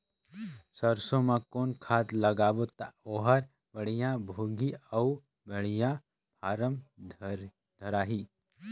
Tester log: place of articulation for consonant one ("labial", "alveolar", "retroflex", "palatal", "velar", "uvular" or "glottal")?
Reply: alveolar